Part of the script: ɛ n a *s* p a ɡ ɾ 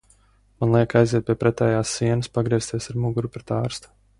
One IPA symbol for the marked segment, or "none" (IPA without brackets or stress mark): s